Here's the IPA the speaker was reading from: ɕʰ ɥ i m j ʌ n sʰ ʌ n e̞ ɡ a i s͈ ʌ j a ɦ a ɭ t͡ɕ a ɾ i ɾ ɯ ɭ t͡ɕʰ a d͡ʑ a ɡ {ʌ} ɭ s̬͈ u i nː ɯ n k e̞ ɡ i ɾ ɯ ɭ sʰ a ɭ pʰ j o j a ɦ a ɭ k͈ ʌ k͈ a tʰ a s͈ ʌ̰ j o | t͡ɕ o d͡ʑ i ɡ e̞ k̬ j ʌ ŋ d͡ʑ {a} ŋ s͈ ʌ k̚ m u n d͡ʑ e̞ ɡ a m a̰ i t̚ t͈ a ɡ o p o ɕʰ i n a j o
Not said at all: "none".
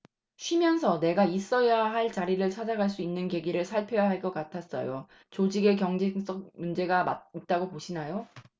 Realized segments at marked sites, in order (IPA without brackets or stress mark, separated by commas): a, e